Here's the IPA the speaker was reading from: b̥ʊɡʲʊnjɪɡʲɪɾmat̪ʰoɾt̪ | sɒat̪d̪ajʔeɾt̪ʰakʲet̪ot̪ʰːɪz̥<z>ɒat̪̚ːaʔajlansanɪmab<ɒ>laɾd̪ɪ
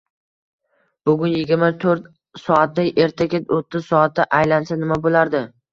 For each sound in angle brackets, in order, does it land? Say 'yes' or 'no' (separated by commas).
no, no